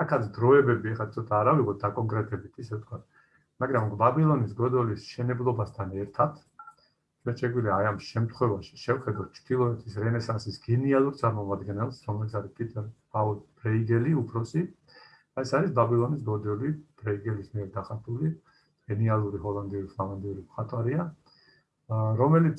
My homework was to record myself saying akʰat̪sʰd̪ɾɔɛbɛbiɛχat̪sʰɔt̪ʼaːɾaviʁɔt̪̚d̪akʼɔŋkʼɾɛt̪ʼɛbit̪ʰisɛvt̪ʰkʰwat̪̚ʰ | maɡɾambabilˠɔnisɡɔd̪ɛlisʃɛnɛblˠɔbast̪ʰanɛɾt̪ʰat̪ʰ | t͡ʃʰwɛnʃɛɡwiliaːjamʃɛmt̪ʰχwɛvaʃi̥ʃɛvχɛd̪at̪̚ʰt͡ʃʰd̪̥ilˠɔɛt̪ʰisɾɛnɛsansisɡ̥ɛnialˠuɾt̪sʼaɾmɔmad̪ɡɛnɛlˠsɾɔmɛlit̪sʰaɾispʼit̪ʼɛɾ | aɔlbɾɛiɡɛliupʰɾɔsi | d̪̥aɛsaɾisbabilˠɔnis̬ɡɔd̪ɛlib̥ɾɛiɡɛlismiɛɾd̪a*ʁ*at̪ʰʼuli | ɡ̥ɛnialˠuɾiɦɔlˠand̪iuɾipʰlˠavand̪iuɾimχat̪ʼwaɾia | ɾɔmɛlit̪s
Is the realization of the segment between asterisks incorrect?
yes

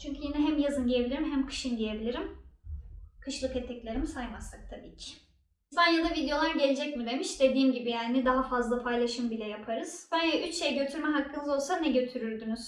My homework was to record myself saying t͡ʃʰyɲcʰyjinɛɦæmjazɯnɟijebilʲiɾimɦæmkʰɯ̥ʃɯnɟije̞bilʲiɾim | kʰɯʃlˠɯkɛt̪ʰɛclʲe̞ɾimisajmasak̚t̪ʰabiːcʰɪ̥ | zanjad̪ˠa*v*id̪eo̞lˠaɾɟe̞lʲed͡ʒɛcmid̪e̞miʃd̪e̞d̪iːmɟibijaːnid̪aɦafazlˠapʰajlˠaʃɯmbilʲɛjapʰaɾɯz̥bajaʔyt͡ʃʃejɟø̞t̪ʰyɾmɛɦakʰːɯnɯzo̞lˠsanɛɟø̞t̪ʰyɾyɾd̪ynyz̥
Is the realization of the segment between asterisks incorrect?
no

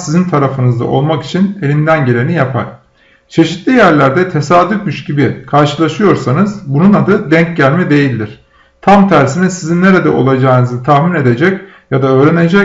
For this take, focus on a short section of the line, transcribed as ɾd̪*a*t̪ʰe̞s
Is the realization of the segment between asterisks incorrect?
yes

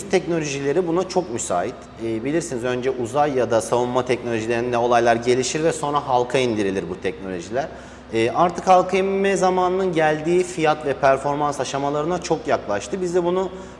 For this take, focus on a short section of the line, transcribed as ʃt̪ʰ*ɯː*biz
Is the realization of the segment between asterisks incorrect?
yes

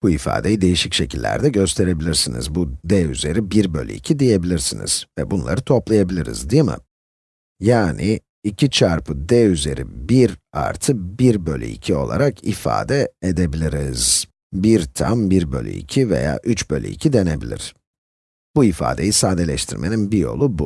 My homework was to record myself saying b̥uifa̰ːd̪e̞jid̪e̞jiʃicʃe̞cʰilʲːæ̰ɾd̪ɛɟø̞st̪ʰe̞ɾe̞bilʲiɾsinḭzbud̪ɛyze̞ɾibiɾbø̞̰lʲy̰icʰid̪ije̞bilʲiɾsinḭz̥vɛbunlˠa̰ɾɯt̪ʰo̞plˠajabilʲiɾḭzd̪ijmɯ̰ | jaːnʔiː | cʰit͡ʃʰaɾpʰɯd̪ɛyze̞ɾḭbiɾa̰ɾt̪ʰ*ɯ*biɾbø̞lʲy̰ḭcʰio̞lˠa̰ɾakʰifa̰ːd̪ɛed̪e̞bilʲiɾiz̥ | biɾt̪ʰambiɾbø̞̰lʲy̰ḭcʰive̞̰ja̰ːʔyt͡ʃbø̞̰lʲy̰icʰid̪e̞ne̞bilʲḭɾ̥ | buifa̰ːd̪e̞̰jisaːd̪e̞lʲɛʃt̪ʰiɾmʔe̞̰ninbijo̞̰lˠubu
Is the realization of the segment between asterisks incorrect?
no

